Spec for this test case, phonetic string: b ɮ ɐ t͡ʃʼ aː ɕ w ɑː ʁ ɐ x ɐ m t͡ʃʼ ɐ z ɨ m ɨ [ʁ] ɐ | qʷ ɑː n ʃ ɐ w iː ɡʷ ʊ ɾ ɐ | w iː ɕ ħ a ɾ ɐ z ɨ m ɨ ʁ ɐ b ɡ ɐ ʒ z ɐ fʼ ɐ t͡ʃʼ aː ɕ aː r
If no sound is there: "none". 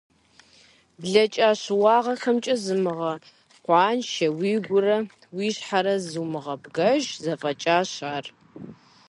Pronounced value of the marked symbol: ʁ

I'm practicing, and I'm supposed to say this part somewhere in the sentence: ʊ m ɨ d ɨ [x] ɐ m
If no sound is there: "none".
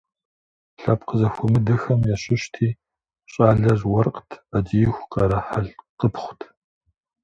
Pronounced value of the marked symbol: x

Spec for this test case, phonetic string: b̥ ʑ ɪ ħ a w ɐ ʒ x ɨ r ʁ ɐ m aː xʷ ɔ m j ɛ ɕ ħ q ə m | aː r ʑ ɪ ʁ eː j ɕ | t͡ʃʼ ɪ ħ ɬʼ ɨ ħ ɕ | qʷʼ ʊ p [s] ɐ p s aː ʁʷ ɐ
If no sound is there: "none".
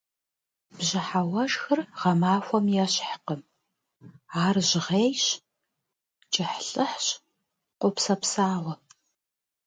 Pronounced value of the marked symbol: s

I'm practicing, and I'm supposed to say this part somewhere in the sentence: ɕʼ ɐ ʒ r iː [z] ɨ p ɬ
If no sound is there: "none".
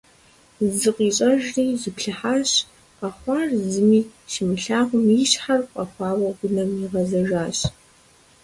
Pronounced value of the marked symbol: z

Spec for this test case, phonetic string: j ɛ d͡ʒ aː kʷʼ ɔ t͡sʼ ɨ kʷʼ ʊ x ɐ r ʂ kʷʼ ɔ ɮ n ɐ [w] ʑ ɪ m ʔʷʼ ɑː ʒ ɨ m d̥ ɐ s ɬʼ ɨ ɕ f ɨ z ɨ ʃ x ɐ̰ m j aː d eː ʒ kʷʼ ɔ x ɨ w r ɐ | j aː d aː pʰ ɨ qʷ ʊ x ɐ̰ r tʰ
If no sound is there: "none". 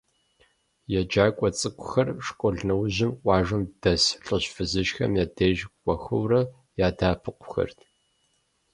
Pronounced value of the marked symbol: w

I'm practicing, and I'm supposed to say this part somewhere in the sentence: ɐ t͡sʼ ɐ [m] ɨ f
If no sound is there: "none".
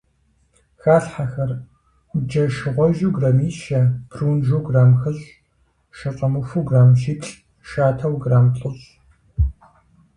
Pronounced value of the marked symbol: m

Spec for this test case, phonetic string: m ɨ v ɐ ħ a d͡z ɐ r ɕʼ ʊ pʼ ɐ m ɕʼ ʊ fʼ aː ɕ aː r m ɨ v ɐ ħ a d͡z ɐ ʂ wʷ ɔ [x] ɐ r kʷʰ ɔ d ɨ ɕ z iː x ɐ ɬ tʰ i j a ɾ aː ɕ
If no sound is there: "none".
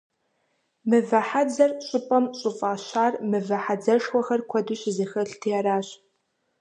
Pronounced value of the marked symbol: x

